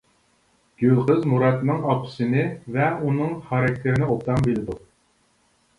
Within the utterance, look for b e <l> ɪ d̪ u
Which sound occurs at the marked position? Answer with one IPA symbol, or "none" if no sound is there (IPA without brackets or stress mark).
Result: l